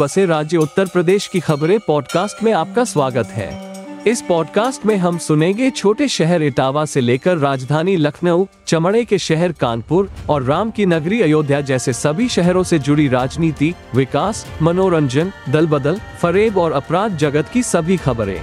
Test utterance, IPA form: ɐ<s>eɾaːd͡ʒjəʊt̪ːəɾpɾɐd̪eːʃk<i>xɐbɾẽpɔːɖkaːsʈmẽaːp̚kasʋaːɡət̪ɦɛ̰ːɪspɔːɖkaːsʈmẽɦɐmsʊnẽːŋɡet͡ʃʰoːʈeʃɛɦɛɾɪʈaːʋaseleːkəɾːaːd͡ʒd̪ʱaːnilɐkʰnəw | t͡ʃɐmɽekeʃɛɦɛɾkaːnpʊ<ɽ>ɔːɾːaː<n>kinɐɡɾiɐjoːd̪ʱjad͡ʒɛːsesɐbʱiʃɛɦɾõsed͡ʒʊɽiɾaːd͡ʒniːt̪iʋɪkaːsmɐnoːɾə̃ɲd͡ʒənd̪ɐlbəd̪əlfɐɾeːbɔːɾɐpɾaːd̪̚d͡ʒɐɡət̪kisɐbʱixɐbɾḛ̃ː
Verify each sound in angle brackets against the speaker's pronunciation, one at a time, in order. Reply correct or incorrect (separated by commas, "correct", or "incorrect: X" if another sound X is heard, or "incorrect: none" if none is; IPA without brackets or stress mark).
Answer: correct, correct, incorrect: ɾ, incorrect: m